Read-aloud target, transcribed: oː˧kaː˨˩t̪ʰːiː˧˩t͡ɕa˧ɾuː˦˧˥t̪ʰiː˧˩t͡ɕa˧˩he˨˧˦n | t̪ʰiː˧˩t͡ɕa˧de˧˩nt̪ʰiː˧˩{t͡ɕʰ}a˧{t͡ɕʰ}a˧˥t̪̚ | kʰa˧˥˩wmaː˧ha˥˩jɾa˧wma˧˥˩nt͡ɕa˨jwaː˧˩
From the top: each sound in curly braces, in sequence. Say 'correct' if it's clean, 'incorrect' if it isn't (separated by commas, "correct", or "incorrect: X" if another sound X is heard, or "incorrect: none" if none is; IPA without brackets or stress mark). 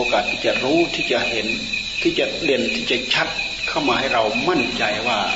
incorrect: t͡ɕ, correct